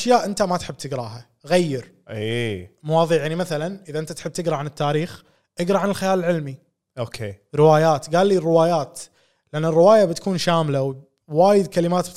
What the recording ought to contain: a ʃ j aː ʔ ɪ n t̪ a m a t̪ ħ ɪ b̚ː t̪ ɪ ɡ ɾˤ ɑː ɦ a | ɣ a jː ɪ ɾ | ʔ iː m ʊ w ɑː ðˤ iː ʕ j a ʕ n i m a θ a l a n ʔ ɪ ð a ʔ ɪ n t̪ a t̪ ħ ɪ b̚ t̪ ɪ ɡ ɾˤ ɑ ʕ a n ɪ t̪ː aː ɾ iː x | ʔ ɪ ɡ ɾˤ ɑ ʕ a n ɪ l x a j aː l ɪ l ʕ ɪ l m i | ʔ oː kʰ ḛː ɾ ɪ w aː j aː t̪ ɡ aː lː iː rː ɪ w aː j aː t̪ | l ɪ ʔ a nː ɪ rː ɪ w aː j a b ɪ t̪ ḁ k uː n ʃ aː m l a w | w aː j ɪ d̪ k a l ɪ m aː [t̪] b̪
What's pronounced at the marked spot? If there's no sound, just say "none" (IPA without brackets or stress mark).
t̪